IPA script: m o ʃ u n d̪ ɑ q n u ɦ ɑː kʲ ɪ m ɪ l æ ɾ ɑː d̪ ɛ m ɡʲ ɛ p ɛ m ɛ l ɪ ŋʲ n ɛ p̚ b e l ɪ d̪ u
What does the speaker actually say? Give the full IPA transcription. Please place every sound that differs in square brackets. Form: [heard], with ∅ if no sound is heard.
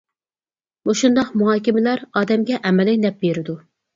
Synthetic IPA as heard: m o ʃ u n d̪ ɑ q [m] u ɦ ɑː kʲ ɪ m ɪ l æ ɾ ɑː d̪ ɛ m ɡʲ ɛ [ʔ] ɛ m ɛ l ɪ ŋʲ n ɛ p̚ b e [ɾ] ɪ d̪ u